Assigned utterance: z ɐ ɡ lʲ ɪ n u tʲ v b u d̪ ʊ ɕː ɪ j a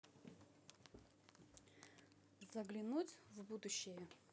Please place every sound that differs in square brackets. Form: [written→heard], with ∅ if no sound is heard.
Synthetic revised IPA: z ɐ ɡ lʲ ɪ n u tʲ v b u d̪ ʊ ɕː ɪ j [a→ə]